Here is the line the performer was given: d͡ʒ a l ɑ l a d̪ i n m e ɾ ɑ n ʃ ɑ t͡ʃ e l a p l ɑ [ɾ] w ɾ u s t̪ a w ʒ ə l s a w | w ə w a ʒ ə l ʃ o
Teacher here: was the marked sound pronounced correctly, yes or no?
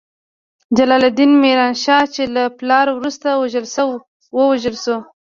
yes